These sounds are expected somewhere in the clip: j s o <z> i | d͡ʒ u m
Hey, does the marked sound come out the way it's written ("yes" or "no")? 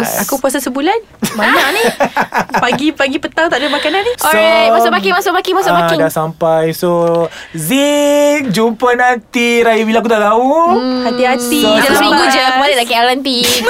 yes